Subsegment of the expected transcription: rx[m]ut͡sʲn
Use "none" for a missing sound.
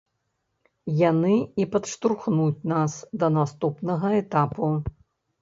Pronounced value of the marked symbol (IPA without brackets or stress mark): n